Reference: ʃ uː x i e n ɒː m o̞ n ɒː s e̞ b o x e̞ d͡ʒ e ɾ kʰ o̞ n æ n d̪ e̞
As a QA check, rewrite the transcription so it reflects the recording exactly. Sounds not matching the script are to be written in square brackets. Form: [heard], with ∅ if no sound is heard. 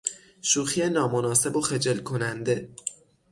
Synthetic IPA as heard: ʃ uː x i e n ɒː m o̞ n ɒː s e̞ b o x e̞ d͡ʒ e [l] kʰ o̞ n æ n d̪ e̞